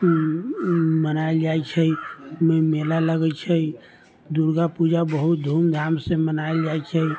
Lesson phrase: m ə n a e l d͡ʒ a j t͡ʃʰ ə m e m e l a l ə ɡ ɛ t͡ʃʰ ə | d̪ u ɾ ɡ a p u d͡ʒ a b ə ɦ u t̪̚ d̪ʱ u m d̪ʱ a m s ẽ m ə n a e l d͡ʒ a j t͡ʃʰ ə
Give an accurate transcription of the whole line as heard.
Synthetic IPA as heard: m ə n a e l d͡ʒ a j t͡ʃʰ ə m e m e l a l ə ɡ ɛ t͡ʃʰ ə | d̪ u ɾ ɡ a p u d͡ʒ a b ə ɦ u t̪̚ d̪ʱ u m d̪ʱ a m s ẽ m ə n a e l d͡ʒ a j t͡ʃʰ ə